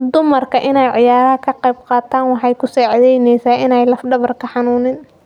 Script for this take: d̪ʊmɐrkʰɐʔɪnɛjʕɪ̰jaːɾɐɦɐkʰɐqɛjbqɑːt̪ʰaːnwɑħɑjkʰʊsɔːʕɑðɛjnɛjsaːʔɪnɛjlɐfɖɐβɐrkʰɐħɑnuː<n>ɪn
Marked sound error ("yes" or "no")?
no